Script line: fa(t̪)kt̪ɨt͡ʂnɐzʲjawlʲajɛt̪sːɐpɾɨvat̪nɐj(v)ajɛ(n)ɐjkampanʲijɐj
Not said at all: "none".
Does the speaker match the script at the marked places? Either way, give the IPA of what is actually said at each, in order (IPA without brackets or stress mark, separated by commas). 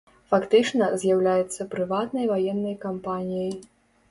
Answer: none, v, nː